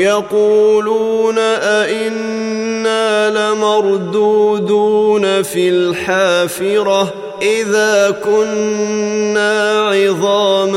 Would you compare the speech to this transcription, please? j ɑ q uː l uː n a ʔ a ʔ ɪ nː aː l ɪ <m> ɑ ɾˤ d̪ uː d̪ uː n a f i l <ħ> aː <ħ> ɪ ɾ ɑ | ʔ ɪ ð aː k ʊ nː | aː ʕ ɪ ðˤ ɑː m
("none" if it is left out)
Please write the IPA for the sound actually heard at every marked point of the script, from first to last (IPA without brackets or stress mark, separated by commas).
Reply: m, ħ, f